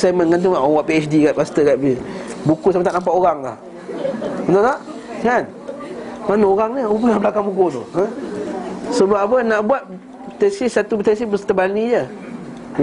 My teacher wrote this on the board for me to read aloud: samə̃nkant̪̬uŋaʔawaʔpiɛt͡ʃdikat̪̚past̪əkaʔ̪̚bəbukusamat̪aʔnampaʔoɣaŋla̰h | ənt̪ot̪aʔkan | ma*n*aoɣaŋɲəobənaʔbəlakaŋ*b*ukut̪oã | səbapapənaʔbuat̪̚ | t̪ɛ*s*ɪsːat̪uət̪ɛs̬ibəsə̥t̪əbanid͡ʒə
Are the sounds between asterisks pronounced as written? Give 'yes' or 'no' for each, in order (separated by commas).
yes, yes, yes